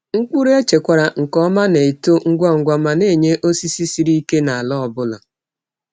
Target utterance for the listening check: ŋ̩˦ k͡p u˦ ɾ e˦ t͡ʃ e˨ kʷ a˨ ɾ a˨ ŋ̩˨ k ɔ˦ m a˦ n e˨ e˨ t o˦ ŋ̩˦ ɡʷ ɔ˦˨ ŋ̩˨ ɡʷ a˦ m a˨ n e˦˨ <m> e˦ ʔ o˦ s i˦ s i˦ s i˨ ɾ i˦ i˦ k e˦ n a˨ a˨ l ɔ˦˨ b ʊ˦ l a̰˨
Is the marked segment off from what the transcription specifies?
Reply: yes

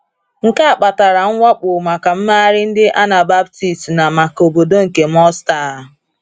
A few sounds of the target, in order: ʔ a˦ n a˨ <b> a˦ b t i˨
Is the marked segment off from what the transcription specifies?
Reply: no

